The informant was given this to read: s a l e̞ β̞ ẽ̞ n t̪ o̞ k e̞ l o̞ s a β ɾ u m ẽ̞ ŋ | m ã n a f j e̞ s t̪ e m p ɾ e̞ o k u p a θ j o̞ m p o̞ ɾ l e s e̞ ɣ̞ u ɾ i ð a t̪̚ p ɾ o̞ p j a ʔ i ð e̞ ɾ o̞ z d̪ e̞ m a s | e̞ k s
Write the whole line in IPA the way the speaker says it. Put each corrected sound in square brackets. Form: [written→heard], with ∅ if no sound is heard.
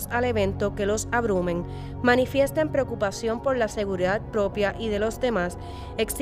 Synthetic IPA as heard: s a l e̞ β̞ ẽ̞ n t̪ o̞ k e̞ l o̞ s a β ɾ u m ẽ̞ ŋ | m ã n [a→i] f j e̞ s t̪ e m p ɾ e̞ o k u p a [θ→s] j o̞ m p o̞ ɾ l [e→a] s e̞ ɣ̞ u ɾ i ð a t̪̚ p ɾ o̞ p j a ʔ i ð e̞ [ɾ→l] o̞ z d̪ e̞ m a s | e̞ k s